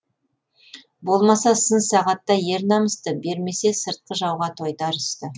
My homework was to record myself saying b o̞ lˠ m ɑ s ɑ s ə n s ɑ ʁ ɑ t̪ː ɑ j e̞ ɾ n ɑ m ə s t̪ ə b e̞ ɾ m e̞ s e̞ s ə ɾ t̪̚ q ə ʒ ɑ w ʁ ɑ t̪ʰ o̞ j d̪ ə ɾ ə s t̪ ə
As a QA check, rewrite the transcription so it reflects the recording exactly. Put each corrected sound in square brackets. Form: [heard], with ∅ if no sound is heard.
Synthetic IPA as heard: b o̞ lˠ m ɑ s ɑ s ə n s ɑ ʁ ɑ t̪ː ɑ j e̞ ɾ n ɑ m ə s t̪ ə b e̞ ɾ m e̞ s e̞ s ə ɾ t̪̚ q ə ʒ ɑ w ʁ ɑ t̪ʰ o̞ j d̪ [ɑ] ɾ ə s t̪ ə